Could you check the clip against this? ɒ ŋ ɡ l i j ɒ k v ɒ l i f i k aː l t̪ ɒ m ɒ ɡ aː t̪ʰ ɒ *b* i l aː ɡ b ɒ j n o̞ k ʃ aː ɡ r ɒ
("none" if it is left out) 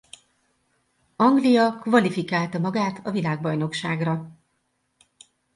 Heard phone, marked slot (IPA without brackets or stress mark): v